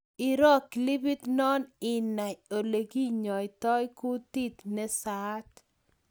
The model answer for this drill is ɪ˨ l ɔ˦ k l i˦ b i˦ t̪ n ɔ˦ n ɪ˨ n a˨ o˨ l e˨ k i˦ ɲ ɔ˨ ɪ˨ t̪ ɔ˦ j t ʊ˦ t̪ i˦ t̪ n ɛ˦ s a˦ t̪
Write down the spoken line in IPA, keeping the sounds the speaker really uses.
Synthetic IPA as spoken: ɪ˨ ɾ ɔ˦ k l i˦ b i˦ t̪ n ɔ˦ n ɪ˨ n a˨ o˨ l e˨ ɡ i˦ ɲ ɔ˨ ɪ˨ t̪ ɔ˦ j k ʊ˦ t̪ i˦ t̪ n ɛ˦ s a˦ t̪